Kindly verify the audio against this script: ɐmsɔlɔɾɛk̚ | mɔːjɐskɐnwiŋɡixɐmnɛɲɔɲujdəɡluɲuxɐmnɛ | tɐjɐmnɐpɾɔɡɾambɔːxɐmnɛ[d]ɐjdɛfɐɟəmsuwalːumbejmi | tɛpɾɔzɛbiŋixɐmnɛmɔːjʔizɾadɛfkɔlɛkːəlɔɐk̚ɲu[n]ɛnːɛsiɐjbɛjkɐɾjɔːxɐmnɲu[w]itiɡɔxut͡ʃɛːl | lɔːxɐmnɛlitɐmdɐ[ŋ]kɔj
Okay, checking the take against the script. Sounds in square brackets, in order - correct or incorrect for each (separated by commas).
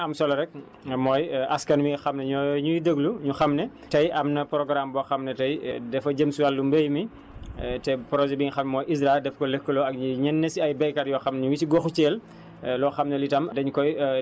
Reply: incorrect, incorrect, correct, incorrect